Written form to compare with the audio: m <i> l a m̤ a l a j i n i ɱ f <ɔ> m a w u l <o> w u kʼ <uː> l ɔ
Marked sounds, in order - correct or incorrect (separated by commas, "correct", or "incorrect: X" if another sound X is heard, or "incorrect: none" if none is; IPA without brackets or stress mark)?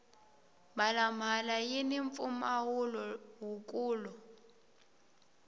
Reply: incorrect: a, incorrect: u, incorrect: ɔ, correct